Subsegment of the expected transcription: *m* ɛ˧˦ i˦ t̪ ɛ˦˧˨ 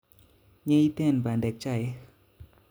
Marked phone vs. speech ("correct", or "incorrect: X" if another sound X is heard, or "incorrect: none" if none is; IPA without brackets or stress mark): incorrect: ɲ